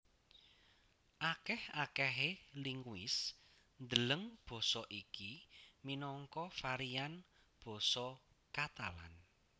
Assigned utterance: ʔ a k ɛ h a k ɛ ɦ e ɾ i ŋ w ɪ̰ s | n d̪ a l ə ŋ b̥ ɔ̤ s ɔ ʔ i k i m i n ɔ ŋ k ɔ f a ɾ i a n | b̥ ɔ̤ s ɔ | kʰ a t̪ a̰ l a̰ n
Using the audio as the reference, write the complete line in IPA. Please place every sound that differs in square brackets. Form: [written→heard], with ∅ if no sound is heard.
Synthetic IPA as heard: ʔ a k ɛ h a k ɛ ɦ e [ɾ→l] i ŋ w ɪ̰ s | n d̪ [a→ə] l ə ŋ b̥ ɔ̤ s ɔ ʔ i k i m i n ɔ ŋ k ɔ f a ɾ i a n | b̥ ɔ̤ s ɔ | [kʰ→k] a t̪ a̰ l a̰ n